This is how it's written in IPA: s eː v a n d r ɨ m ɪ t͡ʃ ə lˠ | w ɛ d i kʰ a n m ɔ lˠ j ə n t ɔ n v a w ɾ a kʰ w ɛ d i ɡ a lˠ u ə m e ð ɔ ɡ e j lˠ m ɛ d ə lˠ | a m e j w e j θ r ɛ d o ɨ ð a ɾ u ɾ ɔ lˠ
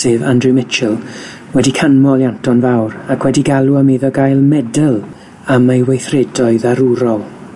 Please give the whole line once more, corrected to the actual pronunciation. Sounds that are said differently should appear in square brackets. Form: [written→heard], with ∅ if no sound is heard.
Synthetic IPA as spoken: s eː v a n d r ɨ m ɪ t͡ʃ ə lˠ | w ɛ d i kʰ a n m ɔ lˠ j [ə→a] n t ɔ n v a w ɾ a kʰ w ɛ d i ɡ a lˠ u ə m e ð ɔ ɡ [e→a] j lˠ m ɛ d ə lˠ | a m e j w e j θ r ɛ d [o→ɔ] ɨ ð a ɾ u ɾ ɔ lˠ